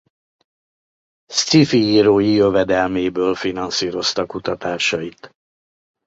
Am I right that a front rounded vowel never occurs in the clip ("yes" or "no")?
no